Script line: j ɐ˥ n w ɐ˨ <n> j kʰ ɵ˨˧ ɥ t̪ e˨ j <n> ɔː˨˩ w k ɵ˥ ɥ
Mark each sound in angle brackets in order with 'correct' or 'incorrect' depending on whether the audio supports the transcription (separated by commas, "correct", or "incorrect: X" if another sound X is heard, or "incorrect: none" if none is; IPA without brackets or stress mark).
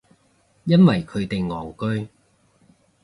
incorrect: none, incorrect: ŋ